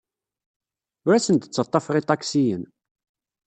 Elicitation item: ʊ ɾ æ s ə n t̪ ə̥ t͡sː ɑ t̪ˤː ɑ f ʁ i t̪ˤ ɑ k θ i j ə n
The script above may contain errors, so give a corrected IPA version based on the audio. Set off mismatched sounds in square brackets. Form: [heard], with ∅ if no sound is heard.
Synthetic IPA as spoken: ʊ ɾ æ s ə n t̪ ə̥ t͡sː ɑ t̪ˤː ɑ f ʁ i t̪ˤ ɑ k [s] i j ə n